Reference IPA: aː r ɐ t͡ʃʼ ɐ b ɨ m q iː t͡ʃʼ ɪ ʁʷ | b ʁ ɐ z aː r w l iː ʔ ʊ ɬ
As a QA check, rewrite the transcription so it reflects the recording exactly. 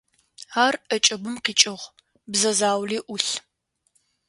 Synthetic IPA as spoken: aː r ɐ t͡ʃʼ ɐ b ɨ m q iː t͡ʃʼ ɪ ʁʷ | b z ɐ z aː w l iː ʔ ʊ ɬ